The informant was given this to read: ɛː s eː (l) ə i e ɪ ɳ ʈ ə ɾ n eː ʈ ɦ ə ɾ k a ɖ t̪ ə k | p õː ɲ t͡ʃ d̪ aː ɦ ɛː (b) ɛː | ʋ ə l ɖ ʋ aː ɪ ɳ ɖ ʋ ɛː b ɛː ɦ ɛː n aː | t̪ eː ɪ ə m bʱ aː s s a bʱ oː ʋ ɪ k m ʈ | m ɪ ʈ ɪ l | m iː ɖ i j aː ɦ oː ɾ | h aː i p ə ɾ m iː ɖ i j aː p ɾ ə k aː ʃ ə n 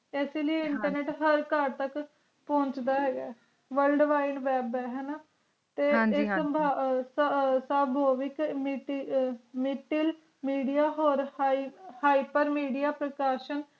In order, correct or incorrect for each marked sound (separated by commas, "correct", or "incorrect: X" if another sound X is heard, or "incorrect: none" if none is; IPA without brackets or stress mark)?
correct, incorrect: ɡ